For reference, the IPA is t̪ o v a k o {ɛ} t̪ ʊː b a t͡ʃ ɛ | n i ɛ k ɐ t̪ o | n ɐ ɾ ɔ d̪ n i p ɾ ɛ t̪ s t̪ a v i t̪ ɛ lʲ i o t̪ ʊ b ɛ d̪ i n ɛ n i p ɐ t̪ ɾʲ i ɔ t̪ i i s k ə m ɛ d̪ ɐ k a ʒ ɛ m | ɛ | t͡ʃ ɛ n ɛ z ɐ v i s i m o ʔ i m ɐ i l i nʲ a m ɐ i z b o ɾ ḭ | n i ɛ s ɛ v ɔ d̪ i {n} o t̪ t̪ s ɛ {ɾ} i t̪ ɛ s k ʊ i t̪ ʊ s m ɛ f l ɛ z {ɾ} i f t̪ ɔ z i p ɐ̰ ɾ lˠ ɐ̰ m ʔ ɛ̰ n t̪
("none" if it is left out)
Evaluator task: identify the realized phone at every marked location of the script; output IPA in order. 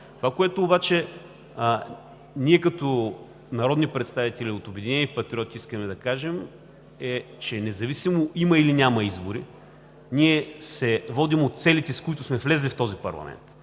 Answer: ɛ, m, l, l

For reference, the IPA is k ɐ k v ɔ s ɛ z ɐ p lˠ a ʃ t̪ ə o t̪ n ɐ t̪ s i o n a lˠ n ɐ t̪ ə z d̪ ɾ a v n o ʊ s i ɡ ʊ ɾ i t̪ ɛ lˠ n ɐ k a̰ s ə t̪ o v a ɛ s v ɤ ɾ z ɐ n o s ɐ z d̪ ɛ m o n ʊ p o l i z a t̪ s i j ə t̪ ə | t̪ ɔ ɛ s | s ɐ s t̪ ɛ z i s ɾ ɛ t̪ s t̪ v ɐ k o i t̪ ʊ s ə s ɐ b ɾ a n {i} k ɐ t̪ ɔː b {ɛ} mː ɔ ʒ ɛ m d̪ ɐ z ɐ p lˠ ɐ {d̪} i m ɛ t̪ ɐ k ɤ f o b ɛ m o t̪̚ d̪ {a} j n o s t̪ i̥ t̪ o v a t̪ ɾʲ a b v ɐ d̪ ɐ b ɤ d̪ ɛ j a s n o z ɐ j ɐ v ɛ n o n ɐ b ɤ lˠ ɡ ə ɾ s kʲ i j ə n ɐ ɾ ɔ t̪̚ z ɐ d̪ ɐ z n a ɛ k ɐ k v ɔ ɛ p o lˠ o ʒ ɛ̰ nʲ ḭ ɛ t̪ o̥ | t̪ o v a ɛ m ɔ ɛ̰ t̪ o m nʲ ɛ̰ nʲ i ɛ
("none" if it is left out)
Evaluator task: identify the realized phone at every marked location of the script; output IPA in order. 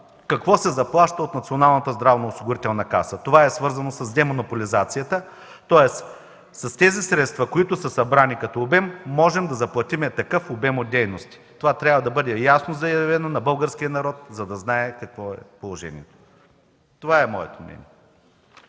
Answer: i, ɛ, t̪, ɛ

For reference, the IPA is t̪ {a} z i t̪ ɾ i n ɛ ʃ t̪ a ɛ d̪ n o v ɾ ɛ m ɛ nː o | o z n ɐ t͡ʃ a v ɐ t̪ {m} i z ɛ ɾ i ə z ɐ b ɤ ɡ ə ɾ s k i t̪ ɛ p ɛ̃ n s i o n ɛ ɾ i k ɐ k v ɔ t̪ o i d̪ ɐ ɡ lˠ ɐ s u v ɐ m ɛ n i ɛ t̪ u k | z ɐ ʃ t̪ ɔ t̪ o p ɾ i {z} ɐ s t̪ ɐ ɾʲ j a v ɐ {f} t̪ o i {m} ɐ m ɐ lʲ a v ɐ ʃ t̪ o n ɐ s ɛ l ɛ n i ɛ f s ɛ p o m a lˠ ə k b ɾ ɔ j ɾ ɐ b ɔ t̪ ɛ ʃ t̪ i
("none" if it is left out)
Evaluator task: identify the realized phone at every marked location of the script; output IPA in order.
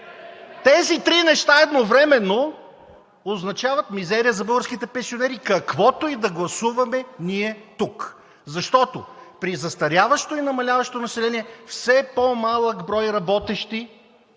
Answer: ɛ, m, z, ʃ, n

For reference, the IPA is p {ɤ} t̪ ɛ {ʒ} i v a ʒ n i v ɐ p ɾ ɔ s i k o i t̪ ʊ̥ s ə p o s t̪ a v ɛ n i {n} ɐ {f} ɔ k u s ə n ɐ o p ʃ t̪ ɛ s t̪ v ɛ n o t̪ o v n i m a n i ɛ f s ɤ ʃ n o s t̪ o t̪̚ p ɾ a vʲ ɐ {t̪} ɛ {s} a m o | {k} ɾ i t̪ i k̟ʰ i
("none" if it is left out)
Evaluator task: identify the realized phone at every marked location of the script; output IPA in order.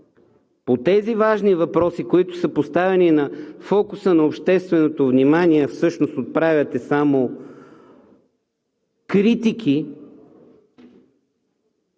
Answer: o, z, n, f, t̪, s, k

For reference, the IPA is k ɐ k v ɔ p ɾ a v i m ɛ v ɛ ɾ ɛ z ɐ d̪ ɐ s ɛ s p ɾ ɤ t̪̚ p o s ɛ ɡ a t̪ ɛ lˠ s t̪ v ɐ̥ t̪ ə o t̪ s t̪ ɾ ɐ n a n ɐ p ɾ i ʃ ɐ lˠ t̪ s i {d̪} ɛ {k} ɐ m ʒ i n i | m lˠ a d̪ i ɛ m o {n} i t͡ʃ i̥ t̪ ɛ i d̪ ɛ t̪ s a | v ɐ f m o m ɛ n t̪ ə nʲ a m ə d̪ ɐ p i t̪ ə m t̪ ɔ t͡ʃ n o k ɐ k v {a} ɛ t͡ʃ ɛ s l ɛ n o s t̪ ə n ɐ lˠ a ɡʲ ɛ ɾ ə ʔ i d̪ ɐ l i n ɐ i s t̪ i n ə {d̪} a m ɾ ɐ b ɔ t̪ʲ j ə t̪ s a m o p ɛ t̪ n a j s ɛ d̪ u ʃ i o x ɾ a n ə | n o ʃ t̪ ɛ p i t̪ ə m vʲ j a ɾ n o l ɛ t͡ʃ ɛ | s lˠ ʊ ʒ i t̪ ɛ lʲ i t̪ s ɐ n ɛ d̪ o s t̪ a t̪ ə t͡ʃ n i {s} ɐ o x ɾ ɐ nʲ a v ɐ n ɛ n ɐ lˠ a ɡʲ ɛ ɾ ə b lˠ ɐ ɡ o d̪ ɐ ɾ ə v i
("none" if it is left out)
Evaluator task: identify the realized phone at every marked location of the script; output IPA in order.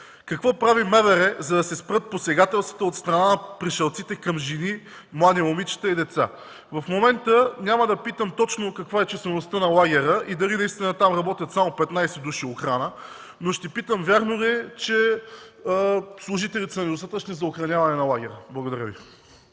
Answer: t̪, k, m, a, t̪, z

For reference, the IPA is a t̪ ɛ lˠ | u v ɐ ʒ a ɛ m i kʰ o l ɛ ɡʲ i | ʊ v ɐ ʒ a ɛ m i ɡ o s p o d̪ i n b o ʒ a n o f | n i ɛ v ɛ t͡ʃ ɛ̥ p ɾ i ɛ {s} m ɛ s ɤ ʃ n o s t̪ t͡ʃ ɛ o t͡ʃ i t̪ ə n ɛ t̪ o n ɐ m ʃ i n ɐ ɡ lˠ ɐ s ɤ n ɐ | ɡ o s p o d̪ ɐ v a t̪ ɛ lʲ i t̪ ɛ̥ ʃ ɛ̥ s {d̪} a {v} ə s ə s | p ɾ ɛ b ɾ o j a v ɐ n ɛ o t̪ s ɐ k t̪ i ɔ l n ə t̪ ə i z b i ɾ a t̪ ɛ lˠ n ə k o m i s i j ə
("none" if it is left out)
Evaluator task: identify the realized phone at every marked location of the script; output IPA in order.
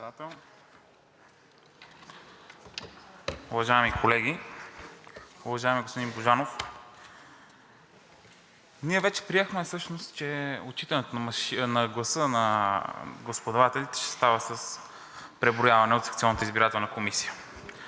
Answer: x, t̪, v

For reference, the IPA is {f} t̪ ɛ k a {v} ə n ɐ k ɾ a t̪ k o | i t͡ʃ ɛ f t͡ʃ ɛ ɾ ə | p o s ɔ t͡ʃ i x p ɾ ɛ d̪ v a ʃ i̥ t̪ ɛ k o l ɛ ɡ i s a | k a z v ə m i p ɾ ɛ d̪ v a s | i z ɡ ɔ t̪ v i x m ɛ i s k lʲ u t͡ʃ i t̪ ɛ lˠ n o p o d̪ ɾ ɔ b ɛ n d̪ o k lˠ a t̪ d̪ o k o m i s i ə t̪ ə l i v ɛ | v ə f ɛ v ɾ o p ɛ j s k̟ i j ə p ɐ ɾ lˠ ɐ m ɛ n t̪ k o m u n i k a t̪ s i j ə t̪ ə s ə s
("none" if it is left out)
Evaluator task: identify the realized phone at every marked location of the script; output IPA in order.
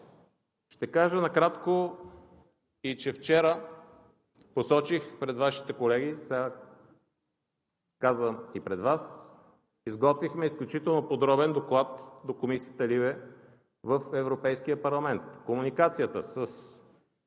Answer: ʃ, ʒ

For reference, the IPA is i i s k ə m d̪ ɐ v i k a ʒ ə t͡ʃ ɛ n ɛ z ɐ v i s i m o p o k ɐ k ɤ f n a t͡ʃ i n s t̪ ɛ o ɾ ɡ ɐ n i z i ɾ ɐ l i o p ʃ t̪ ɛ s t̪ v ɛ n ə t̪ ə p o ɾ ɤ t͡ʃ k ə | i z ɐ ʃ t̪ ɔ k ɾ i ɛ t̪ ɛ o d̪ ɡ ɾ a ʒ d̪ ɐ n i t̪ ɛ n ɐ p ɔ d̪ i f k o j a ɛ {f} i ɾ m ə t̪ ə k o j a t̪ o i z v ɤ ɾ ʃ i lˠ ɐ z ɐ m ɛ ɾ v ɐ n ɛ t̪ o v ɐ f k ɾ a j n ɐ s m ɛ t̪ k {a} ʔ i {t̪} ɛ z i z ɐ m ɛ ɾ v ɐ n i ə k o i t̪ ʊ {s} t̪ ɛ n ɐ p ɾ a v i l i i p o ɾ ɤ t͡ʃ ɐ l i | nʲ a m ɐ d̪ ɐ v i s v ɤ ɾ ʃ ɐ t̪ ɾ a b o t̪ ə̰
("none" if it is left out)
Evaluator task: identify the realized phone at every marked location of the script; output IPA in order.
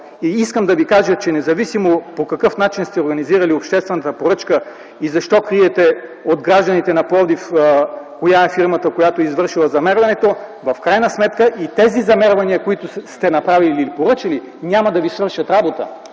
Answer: f, ə, t̪, s

